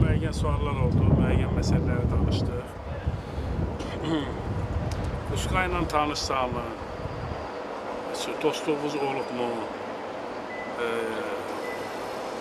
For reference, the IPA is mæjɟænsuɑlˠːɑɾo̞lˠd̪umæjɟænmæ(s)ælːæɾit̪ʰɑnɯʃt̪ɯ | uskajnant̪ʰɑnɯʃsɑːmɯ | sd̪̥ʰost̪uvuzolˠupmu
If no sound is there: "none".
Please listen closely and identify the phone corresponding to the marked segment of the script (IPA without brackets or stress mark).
s